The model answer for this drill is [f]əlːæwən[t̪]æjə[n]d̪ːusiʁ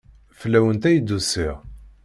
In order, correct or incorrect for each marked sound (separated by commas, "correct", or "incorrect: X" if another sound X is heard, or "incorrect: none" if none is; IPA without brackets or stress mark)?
correct, correct, incorrect: none